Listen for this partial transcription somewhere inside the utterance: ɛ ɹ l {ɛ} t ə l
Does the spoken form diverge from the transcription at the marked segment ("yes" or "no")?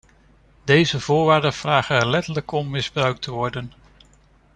no